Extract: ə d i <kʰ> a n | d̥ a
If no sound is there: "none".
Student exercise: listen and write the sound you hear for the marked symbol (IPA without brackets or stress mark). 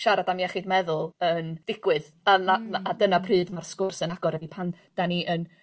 pʰ